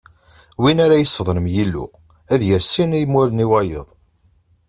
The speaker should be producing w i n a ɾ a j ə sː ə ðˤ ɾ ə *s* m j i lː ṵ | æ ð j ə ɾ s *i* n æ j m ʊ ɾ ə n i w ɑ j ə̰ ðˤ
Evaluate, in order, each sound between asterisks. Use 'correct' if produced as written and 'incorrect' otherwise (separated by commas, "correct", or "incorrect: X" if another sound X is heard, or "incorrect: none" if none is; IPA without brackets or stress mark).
incorrect: none, correct